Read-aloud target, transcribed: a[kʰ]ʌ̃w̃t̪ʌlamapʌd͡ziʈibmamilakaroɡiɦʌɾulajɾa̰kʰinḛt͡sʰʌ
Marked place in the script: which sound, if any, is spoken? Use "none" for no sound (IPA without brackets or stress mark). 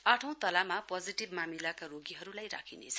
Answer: ʈʰ